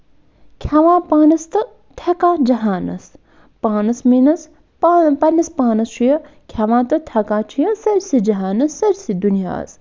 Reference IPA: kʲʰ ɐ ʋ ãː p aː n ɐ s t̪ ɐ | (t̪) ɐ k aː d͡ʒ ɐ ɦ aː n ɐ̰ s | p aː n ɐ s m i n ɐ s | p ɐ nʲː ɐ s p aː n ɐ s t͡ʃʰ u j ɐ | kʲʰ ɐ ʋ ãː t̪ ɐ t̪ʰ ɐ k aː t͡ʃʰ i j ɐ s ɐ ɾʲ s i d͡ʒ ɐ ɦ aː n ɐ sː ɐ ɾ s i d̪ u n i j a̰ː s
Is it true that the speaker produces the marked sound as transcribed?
no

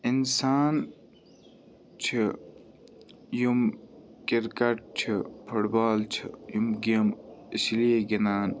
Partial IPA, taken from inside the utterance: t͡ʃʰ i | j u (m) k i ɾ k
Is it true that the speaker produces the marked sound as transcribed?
yes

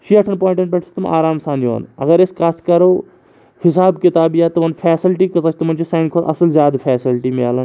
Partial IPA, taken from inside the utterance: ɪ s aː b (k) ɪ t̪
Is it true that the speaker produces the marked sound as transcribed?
yes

